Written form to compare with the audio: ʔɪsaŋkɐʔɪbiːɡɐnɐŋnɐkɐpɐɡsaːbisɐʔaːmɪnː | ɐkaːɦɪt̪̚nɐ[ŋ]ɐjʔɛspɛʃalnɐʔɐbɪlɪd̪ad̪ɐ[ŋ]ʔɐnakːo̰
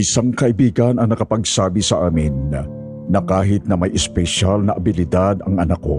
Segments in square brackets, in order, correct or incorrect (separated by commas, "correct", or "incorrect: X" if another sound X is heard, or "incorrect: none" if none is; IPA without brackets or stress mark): incorrect: m, correct